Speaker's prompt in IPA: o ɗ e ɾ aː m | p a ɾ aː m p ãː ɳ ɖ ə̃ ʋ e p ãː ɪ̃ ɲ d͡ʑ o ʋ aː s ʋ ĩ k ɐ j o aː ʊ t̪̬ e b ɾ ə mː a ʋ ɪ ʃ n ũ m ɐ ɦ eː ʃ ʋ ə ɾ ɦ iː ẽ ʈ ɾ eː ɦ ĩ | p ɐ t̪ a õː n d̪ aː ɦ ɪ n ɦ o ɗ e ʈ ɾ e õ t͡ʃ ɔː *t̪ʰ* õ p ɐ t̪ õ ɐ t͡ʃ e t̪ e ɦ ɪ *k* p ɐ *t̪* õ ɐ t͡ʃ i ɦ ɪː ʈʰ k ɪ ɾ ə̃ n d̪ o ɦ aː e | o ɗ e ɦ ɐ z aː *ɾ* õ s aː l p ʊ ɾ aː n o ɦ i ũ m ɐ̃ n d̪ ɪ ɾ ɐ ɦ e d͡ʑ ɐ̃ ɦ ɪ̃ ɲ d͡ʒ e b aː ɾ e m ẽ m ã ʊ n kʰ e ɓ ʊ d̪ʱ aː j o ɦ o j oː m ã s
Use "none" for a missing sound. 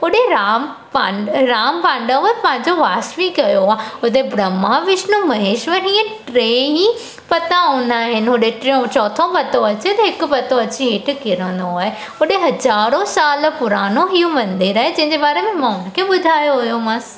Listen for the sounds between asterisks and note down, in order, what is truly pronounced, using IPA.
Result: t̪ʰ, k, t̪, ɾ

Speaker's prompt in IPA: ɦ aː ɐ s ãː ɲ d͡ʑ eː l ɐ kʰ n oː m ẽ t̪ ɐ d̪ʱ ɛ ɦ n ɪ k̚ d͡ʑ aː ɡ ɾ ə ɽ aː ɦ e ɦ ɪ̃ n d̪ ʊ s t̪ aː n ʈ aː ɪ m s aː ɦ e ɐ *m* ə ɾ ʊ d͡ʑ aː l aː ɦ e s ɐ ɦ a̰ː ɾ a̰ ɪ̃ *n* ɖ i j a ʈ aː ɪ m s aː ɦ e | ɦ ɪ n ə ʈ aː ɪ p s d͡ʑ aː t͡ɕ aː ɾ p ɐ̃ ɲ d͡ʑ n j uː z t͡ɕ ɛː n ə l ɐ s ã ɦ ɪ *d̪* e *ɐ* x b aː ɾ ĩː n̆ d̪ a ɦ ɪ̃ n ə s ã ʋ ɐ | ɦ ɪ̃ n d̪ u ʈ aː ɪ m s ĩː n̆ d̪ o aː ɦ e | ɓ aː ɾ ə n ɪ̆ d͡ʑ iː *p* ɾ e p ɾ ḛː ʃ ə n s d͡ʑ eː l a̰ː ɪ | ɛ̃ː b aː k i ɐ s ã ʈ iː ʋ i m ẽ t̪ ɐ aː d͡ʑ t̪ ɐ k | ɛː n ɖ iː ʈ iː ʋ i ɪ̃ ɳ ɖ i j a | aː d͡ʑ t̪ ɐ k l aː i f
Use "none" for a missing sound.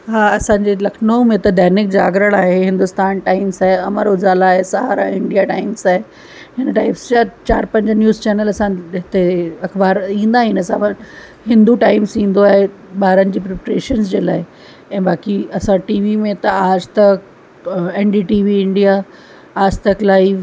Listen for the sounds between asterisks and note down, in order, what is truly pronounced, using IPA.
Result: m, ɳ, t̪, ɐ, p

